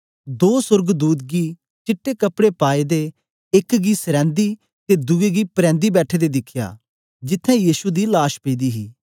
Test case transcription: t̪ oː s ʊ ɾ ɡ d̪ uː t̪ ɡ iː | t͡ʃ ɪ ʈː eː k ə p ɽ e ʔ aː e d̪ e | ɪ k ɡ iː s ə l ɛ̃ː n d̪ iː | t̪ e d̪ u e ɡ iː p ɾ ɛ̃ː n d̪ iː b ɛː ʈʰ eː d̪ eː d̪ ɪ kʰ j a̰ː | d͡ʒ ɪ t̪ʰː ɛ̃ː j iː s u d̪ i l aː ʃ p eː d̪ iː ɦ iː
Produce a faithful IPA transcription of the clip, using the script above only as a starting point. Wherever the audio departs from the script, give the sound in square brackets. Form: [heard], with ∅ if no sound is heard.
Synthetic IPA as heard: [d̪] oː s ʊ ɾ ɡ d̪ uː t̪ ɡ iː | t͡ʃ ɪ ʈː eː k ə p ɽ e [p] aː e d̪ e | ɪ k ɡ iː s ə [ɾ] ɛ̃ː n d̪ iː | t̪ e d̪ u e ɡ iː p ɾ ɛ̃ː n d̪ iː b ɛː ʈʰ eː d̪ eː d̪ ɪ kʰ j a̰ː | d͡ʒ ɪ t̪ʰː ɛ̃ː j iː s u d̪ i l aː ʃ p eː d̪ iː ɦ iː

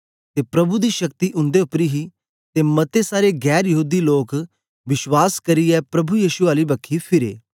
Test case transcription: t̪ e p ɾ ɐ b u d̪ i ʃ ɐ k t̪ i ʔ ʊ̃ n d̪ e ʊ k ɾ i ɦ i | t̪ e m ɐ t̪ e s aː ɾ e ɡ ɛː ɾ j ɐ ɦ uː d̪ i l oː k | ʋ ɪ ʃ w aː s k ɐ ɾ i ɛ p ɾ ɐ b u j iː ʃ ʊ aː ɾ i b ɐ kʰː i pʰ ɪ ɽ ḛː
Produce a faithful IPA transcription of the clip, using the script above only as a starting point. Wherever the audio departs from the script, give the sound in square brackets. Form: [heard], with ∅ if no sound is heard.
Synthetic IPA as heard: t̪ e p ɾ ɐ b u d̪ i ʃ ɐ k t̪ i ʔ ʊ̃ n d̪ e ʊ [p] ɾ i ɦ i | t̪ e m ɐ t̪ e s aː ɾ e ɡ ɛː ɾ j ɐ ɦ uː d̪ i l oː k | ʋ ɪ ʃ w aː s k ɐ ɾ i ɛ p ɾ ɐ b u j iː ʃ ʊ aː [l] i b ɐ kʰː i pʰ ɪ [ɾ] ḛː

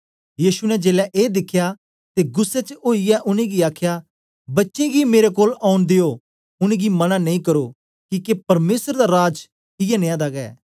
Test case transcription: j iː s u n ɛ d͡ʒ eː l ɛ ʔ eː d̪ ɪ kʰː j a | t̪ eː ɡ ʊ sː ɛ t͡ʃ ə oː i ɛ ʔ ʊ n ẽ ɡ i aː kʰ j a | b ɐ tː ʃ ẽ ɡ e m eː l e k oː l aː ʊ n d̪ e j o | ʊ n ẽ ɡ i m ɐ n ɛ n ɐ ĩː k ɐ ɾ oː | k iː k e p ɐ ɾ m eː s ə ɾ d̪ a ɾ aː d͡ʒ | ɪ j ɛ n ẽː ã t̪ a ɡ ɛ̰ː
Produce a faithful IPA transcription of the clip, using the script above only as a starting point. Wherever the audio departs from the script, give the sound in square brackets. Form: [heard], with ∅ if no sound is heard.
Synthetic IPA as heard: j iː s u n ɛ d͡ʒ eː l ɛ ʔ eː d̪ ɪ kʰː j a | t̪ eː ɡ ʊ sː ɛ t͡ʃ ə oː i ɛ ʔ ʊ n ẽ ɡ i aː kʰ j a | b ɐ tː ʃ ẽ ɡ [i] m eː [ɾ] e k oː l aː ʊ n d̪ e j o | ʊ n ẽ ɡ i m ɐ n [a] n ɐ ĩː k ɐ ɾ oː | k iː k e p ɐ ɾ m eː s ə ɾ d̪ a ɾ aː d͡ʒ | ɪ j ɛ n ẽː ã [d̪] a ɡ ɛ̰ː

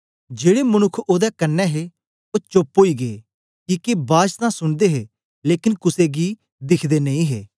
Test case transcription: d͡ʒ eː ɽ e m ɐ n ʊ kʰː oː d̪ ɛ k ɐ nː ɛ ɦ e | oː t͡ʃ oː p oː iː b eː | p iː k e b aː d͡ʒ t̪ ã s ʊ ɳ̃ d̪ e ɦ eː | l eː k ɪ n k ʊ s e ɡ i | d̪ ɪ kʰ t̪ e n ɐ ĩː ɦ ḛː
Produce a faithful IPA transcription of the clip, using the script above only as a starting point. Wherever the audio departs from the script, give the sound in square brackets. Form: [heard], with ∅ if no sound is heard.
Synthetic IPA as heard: d͡ʒ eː ɽ e m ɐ n ʊ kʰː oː d̪ ɛ k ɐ nː ɛ ɦ e | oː t͡ʃ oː p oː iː [ɡ] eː | [k] iː k e b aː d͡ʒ t̪ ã s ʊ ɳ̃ d̪ e ɦ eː | l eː k ɪ n k ʊ s e ɡ i | d̪ ɪ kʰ [d̪] e n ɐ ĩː ɦ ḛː

